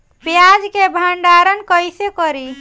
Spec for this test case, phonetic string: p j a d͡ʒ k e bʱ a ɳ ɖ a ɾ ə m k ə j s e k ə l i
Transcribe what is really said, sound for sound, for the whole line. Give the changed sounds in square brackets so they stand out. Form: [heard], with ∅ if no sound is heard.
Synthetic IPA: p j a d͡ʒ k e bʱ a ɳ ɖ a ɾ ə [n] k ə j s e k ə [ɾ] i